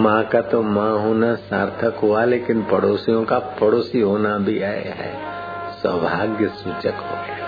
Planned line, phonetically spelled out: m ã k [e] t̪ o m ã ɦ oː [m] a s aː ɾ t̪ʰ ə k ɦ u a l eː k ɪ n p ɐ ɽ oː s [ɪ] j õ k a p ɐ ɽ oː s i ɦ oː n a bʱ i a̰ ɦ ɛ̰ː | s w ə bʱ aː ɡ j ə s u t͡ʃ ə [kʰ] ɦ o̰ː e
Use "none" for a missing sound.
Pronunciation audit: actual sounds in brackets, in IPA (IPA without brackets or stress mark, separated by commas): a, n, i, k